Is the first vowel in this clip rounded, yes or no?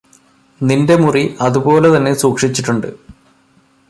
no